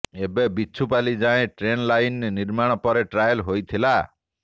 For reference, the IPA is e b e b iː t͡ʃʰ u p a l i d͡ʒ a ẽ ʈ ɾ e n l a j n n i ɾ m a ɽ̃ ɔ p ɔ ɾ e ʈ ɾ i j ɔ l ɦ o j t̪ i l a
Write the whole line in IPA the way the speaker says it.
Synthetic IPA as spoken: e b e b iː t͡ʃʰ u p a l i d͡ʒ a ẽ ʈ ɾ e n l a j n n i ɾ m a ɽ̃ ɔ p ɔ ɾ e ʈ ɾ a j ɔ l ɦ o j t̪ʰ i l a